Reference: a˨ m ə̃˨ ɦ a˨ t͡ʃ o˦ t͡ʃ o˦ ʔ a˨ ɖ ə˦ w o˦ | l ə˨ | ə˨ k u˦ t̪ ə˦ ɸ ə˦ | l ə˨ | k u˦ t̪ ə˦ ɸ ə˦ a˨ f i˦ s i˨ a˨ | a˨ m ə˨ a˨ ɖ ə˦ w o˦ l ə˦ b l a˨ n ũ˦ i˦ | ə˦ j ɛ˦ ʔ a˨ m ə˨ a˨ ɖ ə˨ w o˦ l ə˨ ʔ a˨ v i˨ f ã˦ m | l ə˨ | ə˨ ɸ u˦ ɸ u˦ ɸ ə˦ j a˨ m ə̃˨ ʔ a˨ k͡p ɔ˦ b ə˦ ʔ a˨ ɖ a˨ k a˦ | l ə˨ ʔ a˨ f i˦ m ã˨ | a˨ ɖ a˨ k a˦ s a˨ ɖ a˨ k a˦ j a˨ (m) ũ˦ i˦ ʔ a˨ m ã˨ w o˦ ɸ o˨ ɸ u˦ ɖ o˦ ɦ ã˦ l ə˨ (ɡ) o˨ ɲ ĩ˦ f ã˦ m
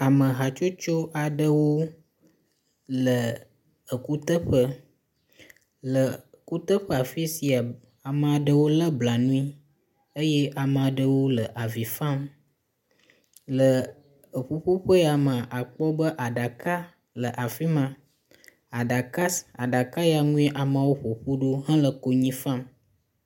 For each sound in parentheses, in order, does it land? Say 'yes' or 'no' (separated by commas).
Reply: no, no